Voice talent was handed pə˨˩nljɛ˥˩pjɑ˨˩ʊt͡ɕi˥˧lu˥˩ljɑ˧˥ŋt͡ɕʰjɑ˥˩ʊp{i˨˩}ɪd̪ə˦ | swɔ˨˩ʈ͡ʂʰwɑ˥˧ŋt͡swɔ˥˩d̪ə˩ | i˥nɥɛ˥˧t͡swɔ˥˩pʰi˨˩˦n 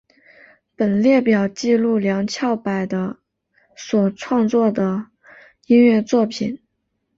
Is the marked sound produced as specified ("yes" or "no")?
no